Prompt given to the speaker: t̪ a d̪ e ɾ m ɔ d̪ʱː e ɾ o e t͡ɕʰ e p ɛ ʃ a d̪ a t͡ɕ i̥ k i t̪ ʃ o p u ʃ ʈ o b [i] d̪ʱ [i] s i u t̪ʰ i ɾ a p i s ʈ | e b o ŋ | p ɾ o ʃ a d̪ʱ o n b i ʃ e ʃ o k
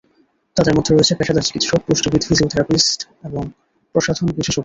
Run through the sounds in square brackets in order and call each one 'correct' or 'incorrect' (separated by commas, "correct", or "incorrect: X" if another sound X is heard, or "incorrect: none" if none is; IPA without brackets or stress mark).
correct, correct